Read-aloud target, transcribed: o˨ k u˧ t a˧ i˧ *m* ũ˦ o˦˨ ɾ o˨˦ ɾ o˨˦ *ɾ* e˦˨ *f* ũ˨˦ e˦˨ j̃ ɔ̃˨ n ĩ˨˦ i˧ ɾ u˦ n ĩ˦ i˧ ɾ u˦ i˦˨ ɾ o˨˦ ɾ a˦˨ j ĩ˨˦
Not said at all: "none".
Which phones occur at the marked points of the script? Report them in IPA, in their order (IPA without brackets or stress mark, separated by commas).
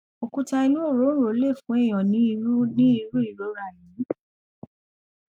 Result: n, l, f